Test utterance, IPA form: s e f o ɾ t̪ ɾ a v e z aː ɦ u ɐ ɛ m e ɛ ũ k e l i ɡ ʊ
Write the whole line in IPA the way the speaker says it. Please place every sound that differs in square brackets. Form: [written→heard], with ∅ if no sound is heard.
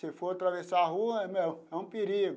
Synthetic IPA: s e f o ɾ t̪ ɾ a v e [z→s] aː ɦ u ɐ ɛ m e ɛ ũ [k→p] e [l→ɾ] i ɡ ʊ